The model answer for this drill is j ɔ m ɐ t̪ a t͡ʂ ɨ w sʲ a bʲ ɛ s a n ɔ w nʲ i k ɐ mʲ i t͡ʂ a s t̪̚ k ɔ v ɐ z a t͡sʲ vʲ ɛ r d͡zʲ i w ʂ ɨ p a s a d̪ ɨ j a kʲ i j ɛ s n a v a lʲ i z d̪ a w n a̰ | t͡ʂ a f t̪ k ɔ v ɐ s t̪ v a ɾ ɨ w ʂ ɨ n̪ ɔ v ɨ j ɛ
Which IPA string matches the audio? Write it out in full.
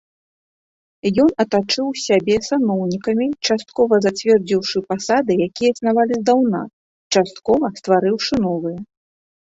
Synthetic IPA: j ɔ n ɐ t̪ a t͡ʂ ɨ w sʲ a bʲ ɛ s a n ɔ w nʲ i k ɐ mʲ i t͡ʂ a s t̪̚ k ɔ v ɐ z a t͡sʲ vʲ ɛ r d͡zʲ i w ʂ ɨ p a s a d̪ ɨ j a kʲ i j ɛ s n a v a lʲ i z d̪ a w n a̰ | t͡ʂ a s t̪ k ɔ v ɐ s t̪ v a ɾ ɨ w ʂ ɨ n̪ ɔ v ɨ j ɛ